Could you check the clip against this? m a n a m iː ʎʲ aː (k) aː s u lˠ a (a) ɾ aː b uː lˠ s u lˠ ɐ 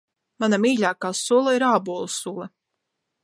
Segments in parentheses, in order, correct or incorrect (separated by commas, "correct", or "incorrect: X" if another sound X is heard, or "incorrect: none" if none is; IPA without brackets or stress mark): correct, incorrect: i